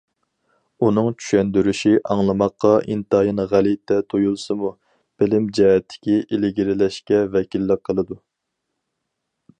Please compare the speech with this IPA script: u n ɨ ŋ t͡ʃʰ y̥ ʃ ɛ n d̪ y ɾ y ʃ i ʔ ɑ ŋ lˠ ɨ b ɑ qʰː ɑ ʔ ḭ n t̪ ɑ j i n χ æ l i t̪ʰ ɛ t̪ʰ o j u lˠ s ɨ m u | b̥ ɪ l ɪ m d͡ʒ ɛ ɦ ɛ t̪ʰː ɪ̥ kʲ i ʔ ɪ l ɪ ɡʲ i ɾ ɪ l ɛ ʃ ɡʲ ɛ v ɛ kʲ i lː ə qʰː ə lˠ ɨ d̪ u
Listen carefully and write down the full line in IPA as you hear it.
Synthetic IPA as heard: u n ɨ ŋ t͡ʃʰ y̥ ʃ ɛ n d̪ y ɾ y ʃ i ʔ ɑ ŋ lˠ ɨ m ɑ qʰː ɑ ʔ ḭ n t̪ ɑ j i n ʁ æ l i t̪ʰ ɛ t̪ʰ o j u lˠ s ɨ m u | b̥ ɪ l ɪ m d͡ʒ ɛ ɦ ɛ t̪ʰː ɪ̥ kʲ i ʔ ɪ l ɪ ɡʲ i ɾ ɪ l ɛ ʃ kʲ ɛ v ɛ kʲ i lː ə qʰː ə lˠ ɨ d̪ u